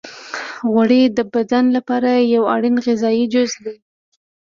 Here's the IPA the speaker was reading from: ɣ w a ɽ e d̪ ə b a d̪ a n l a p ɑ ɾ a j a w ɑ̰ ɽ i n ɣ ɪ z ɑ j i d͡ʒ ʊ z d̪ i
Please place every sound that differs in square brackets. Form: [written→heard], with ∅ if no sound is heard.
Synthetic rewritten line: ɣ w a ɽ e d̪ ə b a d̪ a n l a p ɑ ɾ a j a w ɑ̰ ɽ i n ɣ ɪ z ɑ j i d͡ʒ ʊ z d̪ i